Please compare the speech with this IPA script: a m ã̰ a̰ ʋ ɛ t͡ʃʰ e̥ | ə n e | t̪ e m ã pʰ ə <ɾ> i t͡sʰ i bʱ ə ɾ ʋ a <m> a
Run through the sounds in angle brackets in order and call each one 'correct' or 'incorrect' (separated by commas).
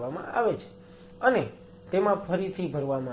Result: correct, correct